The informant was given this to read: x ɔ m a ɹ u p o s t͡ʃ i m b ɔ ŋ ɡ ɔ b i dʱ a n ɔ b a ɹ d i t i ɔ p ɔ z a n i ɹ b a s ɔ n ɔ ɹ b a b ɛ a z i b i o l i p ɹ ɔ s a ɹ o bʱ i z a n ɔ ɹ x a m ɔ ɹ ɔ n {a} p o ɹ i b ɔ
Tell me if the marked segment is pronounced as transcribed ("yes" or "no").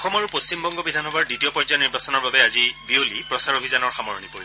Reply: no